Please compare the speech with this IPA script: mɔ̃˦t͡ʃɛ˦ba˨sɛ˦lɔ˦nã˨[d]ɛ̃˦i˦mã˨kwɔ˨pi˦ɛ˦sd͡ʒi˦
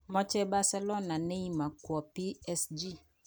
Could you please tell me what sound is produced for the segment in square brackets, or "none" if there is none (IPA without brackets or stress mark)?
n